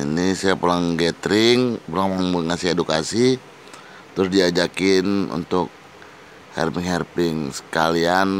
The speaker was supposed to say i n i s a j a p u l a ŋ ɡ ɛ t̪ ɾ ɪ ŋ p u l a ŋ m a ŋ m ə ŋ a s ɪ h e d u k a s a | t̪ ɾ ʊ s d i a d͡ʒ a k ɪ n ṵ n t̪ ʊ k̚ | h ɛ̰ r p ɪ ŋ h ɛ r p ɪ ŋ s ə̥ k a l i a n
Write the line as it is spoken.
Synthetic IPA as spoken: i n i s a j a p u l a ŋ ɡ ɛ t̪ ɾ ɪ ŋ p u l a ŋ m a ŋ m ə ŋ a s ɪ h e d u k a s i | t̪ ɾ ʊ s d i a d͡ʒ a k ɪ n ṵ n t̪ ʊ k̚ | h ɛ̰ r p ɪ ŋ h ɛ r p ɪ ŋ s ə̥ k a l i a n